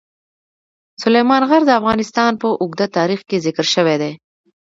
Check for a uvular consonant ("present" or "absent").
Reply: absent